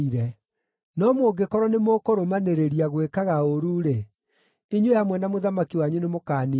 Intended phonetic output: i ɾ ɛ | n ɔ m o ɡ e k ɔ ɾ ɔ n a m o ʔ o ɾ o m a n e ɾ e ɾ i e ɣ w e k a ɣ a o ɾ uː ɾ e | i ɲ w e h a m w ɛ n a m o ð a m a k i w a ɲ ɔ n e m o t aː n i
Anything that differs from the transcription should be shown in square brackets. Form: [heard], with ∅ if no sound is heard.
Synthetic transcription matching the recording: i ɾ ɛ | n ɔ m o ɡ e k ɔ ɾ ɔ n [e] m o [k] o ɾ o m a n e ɾ e ɾ i [a] ɣ w e k a ɣ a o ɾ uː ɾ e | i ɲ w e h a m w ɛ n a m o ð a m a k i w a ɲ [u] n e m o [k] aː n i